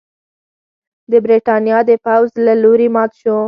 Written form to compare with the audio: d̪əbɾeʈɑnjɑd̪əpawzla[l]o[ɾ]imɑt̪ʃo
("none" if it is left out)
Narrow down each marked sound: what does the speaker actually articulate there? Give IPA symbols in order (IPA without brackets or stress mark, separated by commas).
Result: l, ɾ